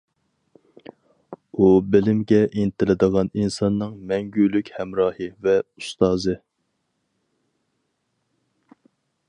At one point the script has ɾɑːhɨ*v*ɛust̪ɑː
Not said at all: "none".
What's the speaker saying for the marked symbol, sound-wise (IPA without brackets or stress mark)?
v